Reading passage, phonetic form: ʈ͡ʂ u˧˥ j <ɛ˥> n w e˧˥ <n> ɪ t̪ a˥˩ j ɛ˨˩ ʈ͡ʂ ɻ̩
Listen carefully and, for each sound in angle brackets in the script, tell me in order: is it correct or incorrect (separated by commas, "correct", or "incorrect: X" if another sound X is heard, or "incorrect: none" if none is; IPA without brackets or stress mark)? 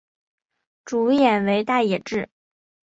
incorrect: ɛ˨˩, incorrect: none